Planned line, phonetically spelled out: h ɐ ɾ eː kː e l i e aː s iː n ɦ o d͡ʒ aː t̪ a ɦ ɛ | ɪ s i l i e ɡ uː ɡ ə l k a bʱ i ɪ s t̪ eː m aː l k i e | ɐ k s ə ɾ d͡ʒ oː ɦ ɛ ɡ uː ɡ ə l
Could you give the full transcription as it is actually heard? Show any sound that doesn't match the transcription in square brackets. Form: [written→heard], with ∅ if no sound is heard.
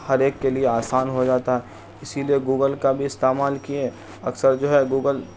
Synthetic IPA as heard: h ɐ ɾ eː kː e l i e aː s [iː→aː] n ɦ o d͡ʒ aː t̪ a ɦ ɛ | ɪ s i l i e ɡ uː ɡ ə l k a bʱ i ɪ s t̪ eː m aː l k i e | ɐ k s ə ɾ d͡ʒ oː ɦ ɛ ɡ uː ɡ ə l